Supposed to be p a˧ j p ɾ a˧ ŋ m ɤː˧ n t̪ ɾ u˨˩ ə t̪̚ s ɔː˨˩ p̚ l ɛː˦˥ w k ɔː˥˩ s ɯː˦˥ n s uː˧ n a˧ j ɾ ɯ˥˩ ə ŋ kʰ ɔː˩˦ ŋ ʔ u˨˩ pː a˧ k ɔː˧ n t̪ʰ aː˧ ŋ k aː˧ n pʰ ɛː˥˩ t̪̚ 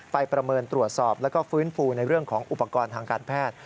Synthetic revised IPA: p a˧ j p ɾ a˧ m ɤː˧ n t̪ ɾ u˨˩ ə t̪̚ s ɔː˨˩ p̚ l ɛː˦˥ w k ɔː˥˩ f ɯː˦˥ n f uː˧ n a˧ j ɾ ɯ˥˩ ə ŋ kʰ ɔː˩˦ ŋ ʔ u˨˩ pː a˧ k ɔː˧ n t̪ʰ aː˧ ŋ k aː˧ n pʰ ɛː˥˩ t̪̚